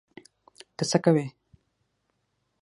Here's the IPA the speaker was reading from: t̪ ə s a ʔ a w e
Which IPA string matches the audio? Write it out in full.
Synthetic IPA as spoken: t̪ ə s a k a w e